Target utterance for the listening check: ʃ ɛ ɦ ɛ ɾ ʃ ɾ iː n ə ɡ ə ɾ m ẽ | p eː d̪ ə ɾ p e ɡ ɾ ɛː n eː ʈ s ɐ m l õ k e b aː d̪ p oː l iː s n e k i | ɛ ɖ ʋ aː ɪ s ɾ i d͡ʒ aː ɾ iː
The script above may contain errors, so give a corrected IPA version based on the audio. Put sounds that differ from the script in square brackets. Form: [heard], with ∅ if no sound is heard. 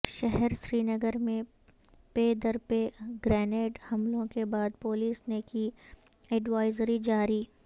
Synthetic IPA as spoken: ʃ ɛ ɦ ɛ ɾ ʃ ɾ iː n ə ɡ ə ɾ m ẽ | p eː d̪ ə ɾ p e ɡ ɾ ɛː n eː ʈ [h] ɐ m l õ k e b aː d̪ p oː l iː s n e k i | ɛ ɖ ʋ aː ɪ [z] ɾ i d͡ʒ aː ɾ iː